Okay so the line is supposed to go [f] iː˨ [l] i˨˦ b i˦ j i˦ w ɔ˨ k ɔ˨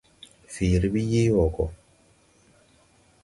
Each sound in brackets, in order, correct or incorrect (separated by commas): correct, incorrect